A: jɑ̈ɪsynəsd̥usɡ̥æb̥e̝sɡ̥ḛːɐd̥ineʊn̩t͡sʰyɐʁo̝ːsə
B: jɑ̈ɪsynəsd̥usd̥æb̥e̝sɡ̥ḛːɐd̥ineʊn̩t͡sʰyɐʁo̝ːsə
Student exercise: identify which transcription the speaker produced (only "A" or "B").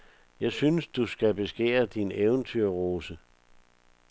A